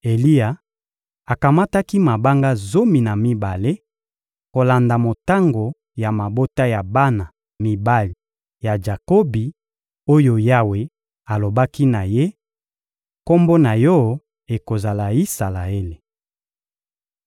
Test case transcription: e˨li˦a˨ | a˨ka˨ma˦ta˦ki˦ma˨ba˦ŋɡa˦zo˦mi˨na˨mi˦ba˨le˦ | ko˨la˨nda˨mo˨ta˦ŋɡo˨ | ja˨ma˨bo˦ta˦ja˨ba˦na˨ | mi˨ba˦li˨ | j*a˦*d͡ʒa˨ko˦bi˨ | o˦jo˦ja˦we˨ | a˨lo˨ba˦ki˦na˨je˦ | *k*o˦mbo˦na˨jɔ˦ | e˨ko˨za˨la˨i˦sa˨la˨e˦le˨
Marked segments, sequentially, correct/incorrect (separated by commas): incorrect, correct